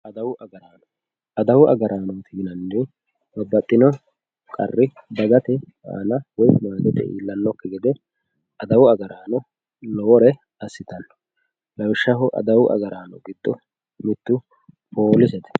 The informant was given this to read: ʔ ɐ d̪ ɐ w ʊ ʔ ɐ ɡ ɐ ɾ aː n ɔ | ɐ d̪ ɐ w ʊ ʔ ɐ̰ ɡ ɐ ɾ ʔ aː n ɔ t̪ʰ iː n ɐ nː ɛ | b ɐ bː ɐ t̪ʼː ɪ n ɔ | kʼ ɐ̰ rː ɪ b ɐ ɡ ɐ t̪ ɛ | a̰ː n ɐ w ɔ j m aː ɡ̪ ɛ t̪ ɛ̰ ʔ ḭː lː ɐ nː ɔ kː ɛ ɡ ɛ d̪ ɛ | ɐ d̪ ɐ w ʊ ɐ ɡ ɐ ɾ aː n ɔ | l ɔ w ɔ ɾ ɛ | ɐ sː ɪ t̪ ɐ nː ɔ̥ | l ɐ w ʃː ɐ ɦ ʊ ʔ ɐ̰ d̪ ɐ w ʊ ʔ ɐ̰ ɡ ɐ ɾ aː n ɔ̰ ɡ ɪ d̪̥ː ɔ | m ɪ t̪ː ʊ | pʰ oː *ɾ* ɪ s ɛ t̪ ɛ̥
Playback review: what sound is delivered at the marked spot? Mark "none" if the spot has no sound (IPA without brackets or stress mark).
l